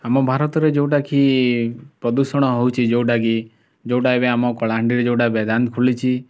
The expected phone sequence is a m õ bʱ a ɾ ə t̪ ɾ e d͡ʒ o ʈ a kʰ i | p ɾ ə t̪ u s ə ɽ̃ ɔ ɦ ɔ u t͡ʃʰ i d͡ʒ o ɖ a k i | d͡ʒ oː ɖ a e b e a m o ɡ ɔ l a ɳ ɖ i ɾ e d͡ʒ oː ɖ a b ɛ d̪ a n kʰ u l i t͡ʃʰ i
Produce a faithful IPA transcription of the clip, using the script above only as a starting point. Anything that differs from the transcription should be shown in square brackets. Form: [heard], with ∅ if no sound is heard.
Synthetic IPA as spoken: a m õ bʱ a ɾ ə t̪ ɾ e d͡ʒ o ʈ a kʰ i | p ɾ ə [d̪] u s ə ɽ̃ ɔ ɦ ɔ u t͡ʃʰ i d͡ʒ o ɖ a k i | d͡ʒ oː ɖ a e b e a m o [k] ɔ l a ɳ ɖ i ɾ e d͡ʒ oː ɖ a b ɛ d̪ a n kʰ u l i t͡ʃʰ i